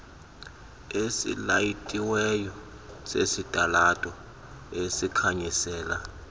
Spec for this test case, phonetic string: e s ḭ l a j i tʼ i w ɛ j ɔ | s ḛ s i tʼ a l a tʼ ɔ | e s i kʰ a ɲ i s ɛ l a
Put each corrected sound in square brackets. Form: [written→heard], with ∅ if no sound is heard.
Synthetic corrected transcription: e s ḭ l a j i tʼ i w ɛ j ɔ | s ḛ s i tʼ a l a tʼ ɔ | e s i kʰ a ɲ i s [ɛ→ɛː] l a